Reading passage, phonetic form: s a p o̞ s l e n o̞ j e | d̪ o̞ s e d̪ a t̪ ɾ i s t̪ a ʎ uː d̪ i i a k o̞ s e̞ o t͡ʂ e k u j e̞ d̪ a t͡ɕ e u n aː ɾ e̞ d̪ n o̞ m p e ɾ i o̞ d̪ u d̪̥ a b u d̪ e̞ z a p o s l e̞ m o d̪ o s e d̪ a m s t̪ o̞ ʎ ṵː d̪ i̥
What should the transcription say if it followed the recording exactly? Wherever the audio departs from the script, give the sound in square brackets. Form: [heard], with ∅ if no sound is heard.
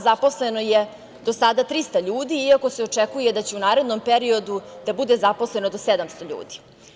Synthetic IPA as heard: [z] a p o̞ s l e n o̞ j e | d̪ o̞ s [a] d̪ a t̪ ɾ i s t̪ a ʎ uː d̪ i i a k o̞ s e̞ o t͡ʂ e k u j e̞ d̪ a t͡ɕ e u n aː ɾ e̞ d̪ n o̞ m p e ɾ i o̞ d̪ u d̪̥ a b u d̪ e̞ z a p o s l e̞ [n] o d̪ o s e d̪ a m s t̪ o̞ ʎ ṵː d̪ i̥

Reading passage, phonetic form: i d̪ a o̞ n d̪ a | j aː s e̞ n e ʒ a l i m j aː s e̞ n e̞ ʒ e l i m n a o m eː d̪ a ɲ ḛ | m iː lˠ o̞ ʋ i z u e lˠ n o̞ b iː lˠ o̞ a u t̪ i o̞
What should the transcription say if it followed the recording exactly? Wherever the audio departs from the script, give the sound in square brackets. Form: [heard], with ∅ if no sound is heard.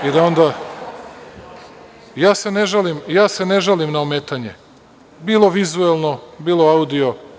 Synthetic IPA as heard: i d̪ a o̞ n d̪ a | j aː s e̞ n e ʒ a l i m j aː s e̞ n e̞ ʒ [a] l i m n a o m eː [t̪] a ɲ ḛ | [b] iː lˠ o̞ ʋ i z u e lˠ n o̞ b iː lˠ o̞ a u [d̪] i o̞

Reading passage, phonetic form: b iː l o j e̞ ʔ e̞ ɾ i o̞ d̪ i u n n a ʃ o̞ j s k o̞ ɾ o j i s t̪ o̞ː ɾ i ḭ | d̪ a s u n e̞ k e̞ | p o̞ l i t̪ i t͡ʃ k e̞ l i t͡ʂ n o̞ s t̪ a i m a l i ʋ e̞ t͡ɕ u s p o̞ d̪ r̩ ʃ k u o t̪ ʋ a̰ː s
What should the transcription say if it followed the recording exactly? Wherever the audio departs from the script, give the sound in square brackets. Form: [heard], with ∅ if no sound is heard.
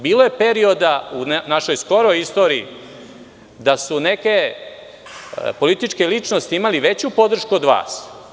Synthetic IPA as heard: b iː l o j e̞ [p] e̞ ɾ i o̞ d̪ [a] u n n a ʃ o̞ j s k o̞ ɾ o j i s t̪ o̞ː ɾ i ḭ | d̪ a s u n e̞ k e̞ | p o̞ l i t̪ i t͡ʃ k e̞ l i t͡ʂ n o̞ s t̪ [i] i m a l i ʋ e̞ t͡ɕ u [∅] p o̞ d̪ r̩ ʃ k u o [d̪] ʋ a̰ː s

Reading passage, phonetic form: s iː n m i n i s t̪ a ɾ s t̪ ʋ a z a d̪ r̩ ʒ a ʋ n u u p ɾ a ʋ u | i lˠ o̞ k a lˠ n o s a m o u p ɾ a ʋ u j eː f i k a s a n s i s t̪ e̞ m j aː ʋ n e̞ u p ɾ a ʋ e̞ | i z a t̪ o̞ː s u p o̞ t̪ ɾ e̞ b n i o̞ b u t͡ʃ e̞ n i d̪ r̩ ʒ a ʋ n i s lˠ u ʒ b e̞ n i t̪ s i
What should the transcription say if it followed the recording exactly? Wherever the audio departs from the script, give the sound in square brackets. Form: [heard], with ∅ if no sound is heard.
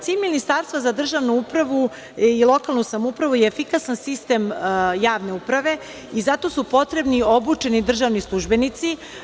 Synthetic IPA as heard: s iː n m i n i s t̪ a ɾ s t̪ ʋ a z a d̪ r̩ ʒ a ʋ n u u p ɾ a ʋ u | i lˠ o̞ k a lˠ n [u] s a m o u p ɾ a ʋ u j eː f i k a s a n s i s t̪ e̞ m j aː ʋ n e̞ u p ɾ a ʋ e̞ | i z a t̪ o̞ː s u p o̞ t̪ ɾ e̞ b n i o̞ b u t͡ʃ e̞ n i d̪ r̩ ʒ a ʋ n i s lˠ u ʒ b e̞ n i t̪ s i

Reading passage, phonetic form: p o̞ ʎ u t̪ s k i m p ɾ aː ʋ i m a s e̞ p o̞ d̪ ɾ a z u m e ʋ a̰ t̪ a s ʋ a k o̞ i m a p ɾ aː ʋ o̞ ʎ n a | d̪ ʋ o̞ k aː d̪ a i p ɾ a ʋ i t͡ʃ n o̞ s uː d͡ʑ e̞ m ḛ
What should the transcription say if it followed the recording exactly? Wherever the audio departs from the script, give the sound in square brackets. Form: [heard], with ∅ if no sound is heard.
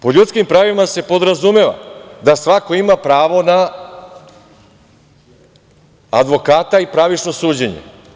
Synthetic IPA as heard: p o̞ ʎ u t̪ s k i m p ɾ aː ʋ i m a s e̞ p o̞ d̪ ɾ a z u m e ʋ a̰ [d̪] a s ʋ a k o̞ i m a p ɾ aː ʋ o̞ [∅] n a | d̪ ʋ o̞ k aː [t̪] a i p ɾ a ʋ i t͡ʃ n o̞ s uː d͡ʑ e̞ [ɲ] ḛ

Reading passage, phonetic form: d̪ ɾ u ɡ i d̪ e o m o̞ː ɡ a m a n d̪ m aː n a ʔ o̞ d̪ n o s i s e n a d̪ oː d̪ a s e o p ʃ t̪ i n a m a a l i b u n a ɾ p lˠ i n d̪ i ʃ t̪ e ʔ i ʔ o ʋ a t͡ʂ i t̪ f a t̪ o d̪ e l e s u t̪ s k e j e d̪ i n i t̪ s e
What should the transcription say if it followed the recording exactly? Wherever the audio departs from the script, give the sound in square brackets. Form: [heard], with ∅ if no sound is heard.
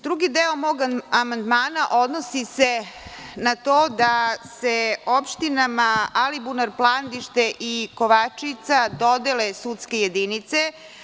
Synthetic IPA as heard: d̪ ɾ u ɡ i d̪ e o m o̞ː ɡ a m a n d̪ m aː n a ʔ o̞ d̪ n o s i s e n a [t̪] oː d̪ a s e o p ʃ t̪ i n a m a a l i b u n a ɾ p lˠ [a] n d̪ i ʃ t̪ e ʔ i [k] o ʋ a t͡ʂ i t̪ [s] a [d̪] o d̪ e l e s u t̪ s k e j e d̪ i n i t̪ s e

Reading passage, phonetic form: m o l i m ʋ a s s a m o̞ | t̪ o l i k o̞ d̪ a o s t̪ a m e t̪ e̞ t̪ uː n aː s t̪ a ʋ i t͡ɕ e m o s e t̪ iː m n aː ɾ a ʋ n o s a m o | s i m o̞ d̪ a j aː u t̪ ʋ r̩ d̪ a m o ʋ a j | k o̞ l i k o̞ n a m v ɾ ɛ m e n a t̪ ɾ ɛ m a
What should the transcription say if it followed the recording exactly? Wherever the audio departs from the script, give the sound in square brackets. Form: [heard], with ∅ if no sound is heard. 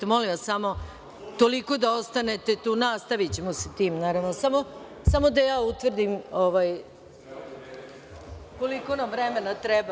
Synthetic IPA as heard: m o l i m ʋ a s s a m o̞ | t̪ o l i k o̞ d̪ a o s t̪ a [n] e t̪ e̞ t̪ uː n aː s t̪ a ʋ i t͡ɕ e m o s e t̪ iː m n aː ɾ a ʋ n o s a m o | s [a] m o̞ d̪ a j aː u t̪ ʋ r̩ d̪ [i] m o ʋ a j | k o̞ l i k o̞ n a m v ɾ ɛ m e n a t̪ ɾ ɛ [b] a

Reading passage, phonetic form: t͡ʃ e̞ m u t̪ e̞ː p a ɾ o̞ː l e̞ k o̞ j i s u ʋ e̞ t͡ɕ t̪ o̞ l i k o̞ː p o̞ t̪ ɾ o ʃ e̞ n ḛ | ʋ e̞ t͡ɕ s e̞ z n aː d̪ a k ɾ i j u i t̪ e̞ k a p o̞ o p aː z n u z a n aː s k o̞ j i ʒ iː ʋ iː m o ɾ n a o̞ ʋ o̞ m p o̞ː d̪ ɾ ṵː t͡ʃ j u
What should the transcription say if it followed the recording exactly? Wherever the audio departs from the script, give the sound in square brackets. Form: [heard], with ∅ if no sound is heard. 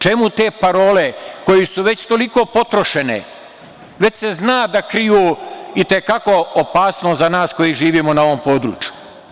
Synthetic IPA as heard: t͡ʃ e̞ m u t̪ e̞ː p a ɾ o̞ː l e̞ k o̞ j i s u ʋ e̞ t͡ɕ t̪ o̞ l i k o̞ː p o̞ t̪ ɾ o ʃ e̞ n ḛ | ʋ e̞ t͡ɕ s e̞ z n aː d̪ a k ɾ i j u i t̪ e̞ k a [k] o̞ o p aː [s] n [o] z a n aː s k o̞ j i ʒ iː ʋ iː m o [∅] n a o̞ ʋ o̞ m p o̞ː d̪ ɾ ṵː t͡ʃ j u

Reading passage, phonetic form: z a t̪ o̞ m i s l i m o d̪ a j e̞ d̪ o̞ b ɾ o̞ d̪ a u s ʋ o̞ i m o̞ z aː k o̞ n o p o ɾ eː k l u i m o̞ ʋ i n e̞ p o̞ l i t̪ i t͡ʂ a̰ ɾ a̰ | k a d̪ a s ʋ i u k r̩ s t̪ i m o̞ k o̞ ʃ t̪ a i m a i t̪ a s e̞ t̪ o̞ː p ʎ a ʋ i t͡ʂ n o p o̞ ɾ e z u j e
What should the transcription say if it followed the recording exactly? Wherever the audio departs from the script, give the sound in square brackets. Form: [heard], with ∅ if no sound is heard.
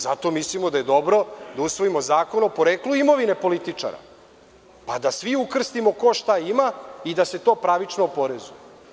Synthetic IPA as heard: z a t̪ o̞ m i s l i m o d̪ a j e̞ d̪ o̞ b ɾ o̞ d̪ a u s ʋ o̞ i m o̞ z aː k o̞ n o p o ɾ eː k l u i m o̞ ʋ i n e̞ p o̞ l i t̪ i t͡ʂ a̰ ɾ a̰ | [p] a d̪ a s ʋ i u k r̩ s t̪ i m o̞ k o̞ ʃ t̪ a i m a i [d̪] a s e̞ t̪ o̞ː p [ɾ] a ʋ i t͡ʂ n o p o̞ ɾ e z u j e

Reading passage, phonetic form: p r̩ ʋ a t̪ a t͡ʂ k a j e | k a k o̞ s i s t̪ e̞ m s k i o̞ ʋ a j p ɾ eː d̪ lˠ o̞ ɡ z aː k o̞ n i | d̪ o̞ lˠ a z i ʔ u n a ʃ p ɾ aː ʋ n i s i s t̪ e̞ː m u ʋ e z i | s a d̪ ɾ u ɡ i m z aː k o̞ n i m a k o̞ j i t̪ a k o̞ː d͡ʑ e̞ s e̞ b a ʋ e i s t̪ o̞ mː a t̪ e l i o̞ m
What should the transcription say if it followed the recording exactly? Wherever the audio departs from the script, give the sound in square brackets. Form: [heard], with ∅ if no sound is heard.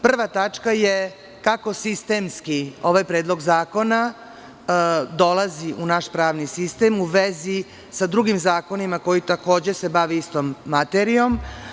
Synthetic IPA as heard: p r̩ ʋ a t̪ a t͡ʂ k a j e | k a k o̞ s i s t̪ e̞ m s k i o̞ ʋ a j p ɾ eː d̪ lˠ o̞ ɡ z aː k o̞ n [a] | d̪ o̞ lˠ a z i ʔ u n a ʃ p ɾ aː ʋ n i s i s t̪ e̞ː m u ʋ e z i | s a d̪ ɾ u ɡ i m z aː k o̞ n i m a k o̞ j i t̪ a k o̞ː d͡ʑ e̞ s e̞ b a ʋ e i s t̪ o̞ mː a t̪ e [ɾ] i o̞ m

